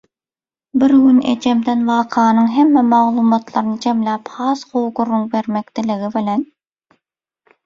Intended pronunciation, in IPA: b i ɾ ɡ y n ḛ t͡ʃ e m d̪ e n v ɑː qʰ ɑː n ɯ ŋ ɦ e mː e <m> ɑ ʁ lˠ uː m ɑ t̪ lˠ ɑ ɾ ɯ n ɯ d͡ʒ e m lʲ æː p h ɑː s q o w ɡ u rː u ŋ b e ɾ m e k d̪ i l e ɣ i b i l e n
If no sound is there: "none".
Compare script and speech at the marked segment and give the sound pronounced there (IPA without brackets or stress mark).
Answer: m